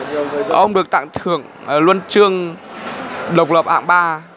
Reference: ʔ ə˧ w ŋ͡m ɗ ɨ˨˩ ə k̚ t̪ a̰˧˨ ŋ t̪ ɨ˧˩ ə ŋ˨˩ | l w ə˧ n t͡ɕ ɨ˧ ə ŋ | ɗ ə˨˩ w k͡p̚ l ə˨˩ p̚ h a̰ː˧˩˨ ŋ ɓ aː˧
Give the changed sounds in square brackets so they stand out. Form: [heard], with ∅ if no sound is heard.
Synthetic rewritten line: ʔ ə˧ w ŋ͡m ɗ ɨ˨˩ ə k̚ t̪ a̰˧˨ ŋ [t̪ʰ] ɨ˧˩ ə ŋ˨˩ | l w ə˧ n t͡ɕ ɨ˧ ə ŋ | ɗ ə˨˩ w k͡p̚ l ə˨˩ p̚ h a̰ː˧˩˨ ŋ ɓ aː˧